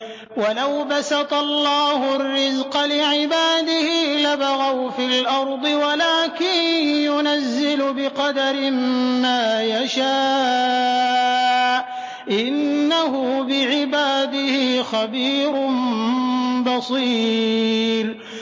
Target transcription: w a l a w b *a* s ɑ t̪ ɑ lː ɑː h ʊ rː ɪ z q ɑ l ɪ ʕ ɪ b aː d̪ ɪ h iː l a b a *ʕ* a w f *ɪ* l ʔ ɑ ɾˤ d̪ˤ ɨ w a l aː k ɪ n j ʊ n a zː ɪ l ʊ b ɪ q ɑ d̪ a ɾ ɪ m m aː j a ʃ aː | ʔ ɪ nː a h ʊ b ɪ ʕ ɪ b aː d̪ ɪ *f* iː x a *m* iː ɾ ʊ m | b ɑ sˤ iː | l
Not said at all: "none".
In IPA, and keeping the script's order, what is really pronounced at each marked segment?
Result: a, ɣ, i, h, b

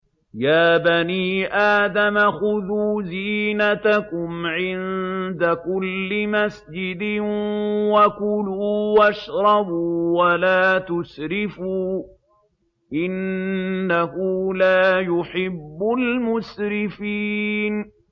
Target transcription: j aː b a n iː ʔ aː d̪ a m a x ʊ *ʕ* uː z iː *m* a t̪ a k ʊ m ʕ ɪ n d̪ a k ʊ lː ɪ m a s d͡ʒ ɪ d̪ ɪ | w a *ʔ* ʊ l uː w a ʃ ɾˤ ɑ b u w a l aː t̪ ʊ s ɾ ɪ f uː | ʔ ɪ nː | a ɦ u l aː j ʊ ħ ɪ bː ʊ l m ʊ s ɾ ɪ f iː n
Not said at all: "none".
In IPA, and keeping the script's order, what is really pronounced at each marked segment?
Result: ð, n, k

